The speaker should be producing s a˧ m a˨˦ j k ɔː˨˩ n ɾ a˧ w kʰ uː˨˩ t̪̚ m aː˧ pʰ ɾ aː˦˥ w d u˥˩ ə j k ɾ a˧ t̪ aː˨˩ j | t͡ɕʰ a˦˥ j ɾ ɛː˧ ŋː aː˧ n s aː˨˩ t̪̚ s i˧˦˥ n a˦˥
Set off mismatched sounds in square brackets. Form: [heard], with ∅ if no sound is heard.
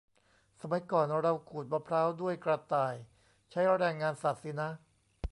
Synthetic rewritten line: s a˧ m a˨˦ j k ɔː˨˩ n ɾ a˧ w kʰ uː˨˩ t̪̚ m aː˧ pʰ ɾ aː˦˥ w d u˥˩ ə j k ɾ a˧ t̪ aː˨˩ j | t͡ɕʰ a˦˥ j ɾ ɛː˧ ŋː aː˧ n s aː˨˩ t̪̚ s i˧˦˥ n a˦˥